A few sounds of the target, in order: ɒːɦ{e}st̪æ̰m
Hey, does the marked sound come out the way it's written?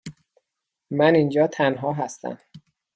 no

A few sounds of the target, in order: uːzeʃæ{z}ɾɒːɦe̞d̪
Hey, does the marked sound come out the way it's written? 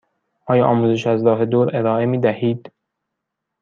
yes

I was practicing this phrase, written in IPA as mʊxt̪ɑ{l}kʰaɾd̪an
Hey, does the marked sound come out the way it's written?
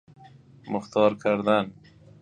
no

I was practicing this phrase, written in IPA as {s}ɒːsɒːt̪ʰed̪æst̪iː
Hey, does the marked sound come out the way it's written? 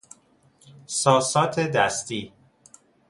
yes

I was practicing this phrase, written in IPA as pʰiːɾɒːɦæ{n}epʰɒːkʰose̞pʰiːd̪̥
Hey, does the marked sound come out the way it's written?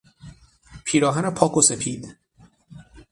yes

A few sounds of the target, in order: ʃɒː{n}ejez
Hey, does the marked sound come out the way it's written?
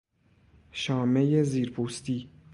no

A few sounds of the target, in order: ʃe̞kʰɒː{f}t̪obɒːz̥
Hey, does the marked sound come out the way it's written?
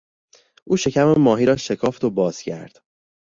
yes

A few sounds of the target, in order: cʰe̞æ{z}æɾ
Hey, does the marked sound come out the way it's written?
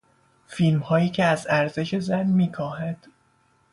yes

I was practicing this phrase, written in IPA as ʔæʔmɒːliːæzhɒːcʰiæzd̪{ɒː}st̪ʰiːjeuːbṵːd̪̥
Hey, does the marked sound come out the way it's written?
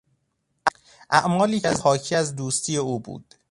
no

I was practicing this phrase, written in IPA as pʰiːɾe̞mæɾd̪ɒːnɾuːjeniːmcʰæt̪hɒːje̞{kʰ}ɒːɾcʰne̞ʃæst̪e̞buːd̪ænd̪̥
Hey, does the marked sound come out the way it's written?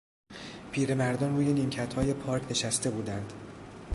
no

